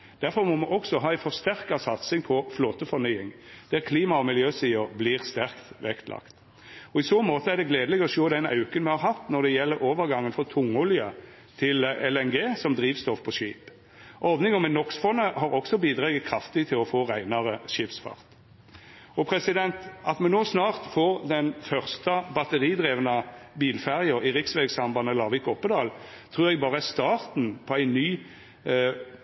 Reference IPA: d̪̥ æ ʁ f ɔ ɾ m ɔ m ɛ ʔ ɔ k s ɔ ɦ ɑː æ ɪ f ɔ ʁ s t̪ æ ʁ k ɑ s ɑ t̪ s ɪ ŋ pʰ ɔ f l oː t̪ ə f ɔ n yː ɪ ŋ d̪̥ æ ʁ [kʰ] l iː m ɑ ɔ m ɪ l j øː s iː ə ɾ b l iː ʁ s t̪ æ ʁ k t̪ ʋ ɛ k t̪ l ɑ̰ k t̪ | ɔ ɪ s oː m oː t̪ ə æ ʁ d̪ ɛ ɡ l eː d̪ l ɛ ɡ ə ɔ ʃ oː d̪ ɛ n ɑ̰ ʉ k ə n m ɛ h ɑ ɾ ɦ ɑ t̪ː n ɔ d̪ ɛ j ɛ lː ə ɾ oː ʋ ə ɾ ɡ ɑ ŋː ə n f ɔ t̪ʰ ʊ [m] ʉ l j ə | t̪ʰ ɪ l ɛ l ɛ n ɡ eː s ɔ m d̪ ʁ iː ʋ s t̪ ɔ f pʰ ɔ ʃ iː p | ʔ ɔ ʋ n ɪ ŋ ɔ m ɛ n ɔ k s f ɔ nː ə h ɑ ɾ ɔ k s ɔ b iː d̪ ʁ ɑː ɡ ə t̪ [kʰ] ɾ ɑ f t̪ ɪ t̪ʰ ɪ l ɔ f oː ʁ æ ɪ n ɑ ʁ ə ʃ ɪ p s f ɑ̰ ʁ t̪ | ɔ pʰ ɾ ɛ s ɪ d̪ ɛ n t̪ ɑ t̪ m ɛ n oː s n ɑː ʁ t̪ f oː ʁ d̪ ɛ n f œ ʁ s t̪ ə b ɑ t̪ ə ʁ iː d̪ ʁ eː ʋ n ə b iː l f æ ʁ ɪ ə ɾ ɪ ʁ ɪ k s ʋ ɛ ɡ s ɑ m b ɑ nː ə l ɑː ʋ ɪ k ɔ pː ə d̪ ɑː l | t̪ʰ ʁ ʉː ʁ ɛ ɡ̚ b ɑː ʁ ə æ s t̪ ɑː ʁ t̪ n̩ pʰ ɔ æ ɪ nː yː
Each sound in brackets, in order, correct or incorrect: correct, incorrect: ŋ, correct

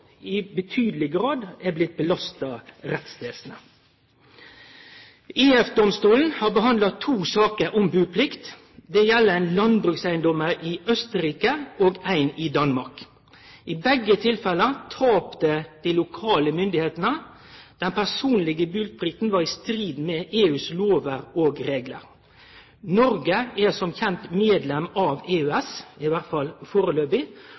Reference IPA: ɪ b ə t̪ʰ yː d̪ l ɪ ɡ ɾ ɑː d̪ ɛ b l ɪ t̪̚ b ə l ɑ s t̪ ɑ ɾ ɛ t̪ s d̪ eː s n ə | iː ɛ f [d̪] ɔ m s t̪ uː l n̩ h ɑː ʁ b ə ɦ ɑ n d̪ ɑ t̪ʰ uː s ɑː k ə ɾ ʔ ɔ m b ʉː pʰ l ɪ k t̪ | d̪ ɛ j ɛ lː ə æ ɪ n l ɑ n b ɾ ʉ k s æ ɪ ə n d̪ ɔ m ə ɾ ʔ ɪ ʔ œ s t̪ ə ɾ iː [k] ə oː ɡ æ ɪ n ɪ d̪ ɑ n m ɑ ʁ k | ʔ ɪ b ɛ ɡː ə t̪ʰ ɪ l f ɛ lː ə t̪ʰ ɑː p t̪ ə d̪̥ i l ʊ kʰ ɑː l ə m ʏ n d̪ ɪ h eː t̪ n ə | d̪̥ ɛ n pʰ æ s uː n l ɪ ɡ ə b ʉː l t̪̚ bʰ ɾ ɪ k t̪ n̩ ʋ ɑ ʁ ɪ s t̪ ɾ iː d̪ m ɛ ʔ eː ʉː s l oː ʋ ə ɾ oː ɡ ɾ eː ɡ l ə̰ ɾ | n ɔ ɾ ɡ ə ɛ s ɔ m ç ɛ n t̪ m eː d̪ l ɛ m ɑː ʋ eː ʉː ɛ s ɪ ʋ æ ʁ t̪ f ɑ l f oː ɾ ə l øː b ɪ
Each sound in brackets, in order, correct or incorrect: correct, correct

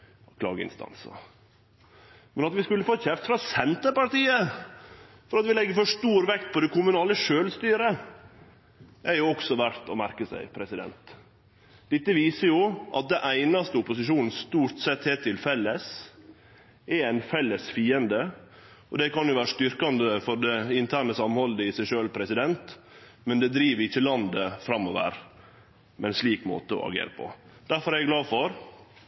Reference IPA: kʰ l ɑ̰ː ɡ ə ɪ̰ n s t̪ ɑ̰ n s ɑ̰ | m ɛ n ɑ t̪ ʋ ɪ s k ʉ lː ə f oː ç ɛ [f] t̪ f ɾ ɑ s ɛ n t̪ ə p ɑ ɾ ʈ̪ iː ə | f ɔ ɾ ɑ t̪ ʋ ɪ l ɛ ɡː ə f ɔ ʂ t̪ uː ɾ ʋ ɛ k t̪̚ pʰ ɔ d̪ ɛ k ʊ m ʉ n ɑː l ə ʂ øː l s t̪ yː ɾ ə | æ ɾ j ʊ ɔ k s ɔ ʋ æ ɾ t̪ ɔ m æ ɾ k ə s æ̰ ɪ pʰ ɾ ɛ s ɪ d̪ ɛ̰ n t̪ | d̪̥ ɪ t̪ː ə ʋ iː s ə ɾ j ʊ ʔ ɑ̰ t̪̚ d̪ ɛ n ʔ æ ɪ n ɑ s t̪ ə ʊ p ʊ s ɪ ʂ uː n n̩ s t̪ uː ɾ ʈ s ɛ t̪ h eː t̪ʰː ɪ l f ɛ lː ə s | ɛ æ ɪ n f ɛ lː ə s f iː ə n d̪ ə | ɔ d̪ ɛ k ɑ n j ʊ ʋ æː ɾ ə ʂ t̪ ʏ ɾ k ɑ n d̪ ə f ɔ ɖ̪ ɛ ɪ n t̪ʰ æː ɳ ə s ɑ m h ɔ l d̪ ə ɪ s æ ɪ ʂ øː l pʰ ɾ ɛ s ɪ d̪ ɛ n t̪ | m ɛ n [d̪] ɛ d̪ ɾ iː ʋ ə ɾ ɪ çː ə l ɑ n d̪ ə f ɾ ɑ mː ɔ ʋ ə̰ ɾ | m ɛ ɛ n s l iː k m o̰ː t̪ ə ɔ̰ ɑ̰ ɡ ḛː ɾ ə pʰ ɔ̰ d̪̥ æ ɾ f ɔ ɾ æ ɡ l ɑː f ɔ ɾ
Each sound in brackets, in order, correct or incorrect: correct, correct

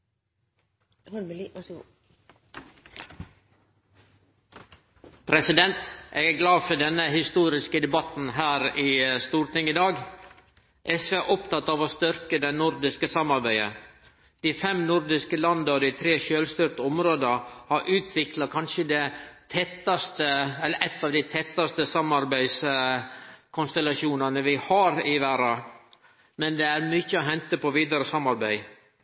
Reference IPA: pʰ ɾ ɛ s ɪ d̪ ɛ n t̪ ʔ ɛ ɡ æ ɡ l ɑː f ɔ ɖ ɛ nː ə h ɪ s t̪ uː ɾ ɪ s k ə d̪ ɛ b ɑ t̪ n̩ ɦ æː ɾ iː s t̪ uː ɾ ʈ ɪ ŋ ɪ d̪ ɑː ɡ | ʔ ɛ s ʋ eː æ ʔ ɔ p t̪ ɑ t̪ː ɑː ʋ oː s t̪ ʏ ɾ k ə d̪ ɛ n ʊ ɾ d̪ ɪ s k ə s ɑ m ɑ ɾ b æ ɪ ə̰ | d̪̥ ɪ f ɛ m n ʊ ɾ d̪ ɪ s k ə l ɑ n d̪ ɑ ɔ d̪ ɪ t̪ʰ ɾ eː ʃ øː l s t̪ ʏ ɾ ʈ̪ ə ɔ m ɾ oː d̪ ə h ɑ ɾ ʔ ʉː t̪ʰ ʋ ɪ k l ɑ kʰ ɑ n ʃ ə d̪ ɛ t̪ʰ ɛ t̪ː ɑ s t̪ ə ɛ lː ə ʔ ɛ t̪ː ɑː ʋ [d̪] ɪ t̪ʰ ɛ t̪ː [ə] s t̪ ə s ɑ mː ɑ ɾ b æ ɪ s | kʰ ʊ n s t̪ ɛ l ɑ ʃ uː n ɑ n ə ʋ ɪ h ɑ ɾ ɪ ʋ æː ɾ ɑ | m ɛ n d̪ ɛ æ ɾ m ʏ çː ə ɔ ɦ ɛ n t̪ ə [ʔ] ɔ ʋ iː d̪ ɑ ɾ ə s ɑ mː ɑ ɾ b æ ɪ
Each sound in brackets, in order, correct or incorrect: correct, incorrect: ɑ, incorrect: p

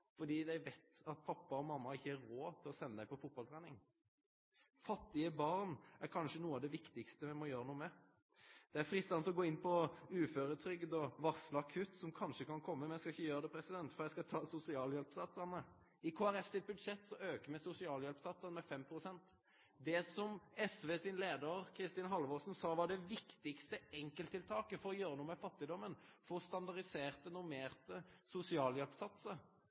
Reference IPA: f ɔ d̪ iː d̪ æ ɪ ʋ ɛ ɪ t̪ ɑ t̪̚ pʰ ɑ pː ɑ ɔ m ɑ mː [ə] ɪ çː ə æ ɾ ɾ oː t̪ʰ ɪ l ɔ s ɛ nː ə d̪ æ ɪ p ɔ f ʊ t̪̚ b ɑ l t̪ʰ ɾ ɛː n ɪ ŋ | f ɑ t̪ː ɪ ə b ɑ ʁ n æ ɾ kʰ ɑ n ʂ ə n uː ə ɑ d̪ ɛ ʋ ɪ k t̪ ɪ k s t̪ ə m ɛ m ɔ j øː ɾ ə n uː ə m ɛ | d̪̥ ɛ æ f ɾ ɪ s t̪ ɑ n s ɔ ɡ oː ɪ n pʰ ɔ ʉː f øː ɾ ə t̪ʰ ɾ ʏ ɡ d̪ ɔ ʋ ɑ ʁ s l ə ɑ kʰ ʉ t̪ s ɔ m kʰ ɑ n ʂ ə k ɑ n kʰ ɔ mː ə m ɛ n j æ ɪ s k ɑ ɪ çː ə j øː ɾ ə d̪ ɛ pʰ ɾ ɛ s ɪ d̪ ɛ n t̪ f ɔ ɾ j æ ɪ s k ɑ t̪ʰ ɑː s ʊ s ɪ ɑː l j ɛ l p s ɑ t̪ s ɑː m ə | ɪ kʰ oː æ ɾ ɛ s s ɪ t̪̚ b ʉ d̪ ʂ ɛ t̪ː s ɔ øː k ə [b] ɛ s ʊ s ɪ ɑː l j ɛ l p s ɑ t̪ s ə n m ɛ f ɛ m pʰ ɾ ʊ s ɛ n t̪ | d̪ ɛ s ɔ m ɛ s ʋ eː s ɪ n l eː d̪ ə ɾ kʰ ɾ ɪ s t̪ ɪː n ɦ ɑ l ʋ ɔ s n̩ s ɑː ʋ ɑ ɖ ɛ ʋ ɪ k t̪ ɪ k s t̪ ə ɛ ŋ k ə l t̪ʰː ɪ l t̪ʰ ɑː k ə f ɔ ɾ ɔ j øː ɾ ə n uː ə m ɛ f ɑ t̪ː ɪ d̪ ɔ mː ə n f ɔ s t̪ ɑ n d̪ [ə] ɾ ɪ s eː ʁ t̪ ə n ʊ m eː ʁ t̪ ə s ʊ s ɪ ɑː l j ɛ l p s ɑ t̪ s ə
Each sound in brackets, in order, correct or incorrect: incorrect: ɑ, incorrect: m, incorrect: ɑ

